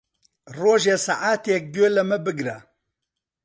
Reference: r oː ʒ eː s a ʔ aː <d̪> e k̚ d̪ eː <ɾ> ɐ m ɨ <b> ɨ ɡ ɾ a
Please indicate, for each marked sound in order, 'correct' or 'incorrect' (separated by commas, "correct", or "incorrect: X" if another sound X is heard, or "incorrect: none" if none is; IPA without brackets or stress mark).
incorrect: t̪, incorrect: l, correct